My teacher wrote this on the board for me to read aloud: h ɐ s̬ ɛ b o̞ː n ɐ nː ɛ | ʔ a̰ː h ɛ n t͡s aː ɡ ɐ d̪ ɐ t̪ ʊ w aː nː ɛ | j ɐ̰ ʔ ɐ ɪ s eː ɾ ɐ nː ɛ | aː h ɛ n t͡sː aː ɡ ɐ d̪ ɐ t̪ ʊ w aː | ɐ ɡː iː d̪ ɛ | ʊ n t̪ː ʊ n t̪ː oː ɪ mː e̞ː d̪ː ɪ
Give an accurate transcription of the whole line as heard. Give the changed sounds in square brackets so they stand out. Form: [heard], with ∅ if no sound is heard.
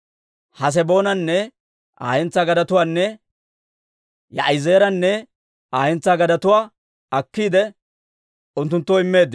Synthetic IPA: h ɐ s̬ ɛ b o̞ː n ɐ nː ɛ | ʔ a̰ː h ɛ n t͡s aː ɡ ɐ d̪ ɐ t̪ ʊ w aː nː ɛ | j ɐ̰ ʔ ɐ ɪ [z] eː ɾ ɐ nː ɛ | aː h ɛ n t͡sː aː ɡ ɐ d̪ ɐ t̪ ʊ w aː | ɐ [kː] iː d̪ ɛ | ʊ n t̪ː ʊ n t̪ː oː ɪ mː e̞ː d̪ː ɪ